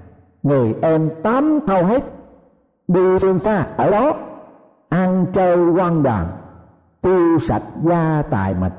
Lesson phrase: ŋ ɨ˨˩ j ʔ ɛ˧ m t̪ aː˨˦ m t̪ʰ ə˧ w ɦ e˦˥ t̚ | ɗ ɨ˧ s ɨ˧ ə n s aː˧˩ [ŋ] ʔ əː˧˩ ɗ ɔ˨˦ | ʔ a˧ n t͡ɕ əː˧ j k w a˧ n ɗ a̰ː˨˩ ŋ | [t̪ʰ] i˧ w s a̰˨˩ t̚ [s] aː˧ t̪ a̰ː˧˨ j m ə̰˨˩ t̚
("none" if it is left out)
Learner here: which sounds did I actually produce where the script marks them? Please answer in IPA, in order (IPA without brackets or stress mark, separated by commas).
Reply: none, t̪, z